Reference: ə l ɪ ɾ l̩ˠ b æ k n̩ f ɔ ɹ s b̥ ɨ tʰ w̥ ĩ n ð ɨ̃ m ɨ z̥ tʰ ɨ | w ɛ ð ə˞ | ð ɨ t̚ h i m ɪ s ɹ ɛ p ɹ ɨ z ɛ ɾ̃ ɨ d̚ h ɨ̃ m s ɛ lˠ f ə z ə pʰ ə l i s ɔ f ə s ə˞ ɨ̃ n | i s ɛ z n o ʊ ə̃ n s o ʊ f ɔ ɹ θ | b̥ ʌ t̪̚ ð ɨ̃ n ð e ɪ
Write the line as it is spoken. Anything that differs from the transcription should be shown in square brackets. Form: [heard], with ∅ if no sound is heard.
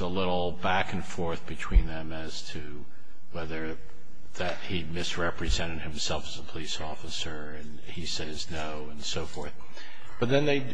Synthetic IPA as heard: ə l ɪ ɾ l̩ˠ b æ k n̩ f ɔ ɹ [θ] b̥ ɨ tʰ w̥ ĩ n ð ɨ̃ m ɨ z̥ tʰ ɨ | w ɛ ð ə˞ | ð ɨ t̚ h i m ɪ s ɹ ɛ p ɹ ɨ z [ɛ̃] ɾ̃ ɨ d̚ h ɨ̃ m s ɛ lˠ f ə z ə pʰ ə l i s ɔ f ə s ə˞ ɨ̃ n | i s ɛ z n o ʊ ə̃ n s o ʊ f ɔ ɹ θ | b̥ ʌ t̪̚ ð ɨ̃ n ð e ɪ